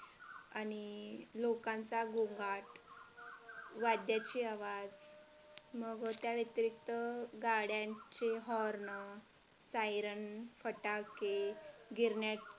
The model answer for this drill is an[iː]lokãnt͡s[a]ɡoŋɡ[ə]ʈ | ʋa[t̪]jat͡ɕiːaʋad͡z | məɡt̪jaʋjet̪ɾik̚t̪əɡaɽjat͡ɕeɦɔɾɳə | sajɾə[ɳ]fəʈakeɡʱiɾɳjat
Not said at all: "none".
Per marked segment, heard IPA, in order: i, a, a, d̪, n

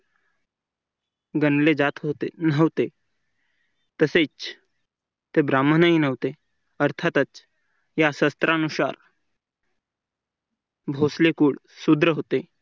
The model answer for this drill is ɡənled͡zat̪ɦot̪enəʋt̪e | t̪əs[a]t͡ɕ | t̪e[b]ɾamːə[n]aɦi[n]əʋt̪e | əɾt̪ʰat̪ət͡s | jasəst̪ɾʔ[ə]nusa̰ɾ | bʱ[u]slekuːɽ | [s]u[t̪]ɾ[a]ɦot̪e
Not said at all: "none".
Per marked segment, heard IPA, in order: e, b, n, n, a, o, s, d̪, ə

